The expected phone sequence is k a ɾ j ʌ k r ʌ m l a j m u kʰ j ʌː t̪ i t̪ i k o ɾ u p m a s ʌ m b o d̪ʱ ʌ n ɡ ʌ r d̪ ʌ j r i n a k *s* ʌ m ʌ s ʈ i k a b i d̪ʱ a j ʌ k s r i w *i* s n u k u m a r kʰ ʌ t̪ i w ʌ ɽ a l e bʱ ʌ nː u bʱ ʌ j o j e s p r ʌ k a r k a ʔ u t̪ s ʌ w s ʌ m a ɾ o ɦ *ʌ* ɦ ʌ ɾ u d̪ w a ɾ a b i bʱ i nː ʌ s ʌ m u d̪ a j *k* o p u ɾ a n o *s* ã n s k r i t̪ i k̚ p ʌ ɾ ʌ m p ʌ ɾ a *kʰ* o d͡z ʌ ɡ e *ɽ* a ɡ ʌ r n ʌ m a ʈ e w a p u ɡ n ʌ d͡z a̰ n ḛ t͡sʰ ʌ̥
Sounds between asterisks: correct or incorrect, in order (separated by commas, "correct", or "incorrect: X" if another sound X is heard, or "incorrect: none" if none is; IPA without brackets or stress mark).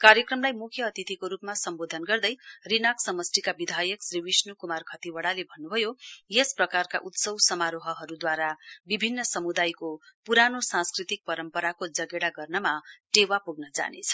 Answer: correct, correct, correct, correct, correct, incorrect: k, correct